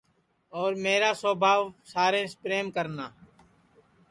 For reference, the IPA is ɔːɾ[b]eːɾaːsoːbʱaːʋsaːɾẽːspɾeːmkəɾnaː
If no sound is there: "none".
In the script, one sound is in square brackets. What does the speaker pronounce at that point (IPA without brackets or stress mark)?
m